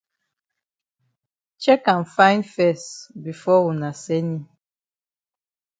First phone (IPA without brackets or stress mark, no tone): t͡ʃ